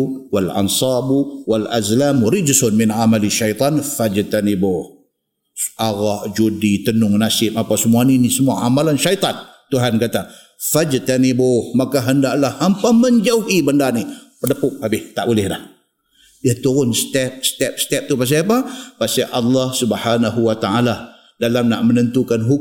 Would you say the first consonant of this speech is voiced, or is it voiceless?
voiced